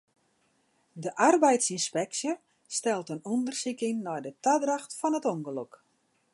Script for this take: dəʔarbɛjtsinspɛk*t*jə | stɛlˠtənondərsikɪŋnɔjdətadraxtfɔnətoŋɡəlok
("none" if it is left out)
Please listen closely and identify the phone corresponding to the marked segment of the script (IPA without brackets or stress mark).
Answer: s